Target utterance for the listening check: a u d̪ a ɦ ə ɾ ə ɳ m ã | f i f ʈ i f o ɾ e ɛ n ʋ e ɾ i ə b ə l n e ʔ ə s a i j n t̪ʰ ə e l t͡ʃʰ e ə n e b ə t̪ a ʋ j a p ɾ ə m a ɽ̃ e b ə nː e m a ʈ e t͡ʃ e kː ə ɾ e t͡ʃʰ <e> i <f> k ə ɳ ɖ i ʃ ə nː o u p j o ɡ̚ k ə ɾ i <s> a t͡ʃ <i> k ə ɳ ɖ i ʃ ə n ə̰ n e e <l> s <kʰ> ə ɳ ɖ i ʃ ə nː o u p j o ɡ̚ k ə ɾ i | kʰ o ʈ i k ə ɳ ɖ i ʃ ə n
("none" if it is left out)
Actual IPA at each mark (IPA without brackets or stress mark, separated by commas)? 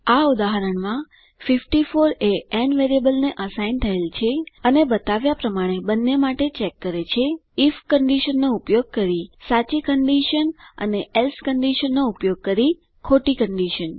e, f, s, i, l, k